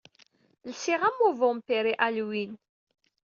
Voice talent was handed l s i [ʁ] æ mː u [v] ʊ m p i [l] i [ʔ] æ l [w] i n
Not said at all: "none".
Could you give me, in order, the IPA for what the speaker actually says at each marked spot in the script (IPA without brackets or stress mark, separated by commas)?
ʁ, v, ɾ, ʔ, w